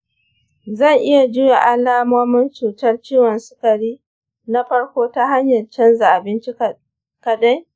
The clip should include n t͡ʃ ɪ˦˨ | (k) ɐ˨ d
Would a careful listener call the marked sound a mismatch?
no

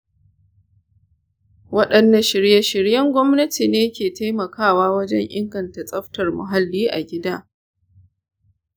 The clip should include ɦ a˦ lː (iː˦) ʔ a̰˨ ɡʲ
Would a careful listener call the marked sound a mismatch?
no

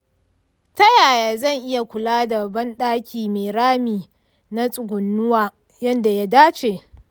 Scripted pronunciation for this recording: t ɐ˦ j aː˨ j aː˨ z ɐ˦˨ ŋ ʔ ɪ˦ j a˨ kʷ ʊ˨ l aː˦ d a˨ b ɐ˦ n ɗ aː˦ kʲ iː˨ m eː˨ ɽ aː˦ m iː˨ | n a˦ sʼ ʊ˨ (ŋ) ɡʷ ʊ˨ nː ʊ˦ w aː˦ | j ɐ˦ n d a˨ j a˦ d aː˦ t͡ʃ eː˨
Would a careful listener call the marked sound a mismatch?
yes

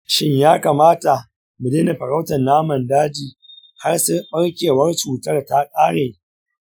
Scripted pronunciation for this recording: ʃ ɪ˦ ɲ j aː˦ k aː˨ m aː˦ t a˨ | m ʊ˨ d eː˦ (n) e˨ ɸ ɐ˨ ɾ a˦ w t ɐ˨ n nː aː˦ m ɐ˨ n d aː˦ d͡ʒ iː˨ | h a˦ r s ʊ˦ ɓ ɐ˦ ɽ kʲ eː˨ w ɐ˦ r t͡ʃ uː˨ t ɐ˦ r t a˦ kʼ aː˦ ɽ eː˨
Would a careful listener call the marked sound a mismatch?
no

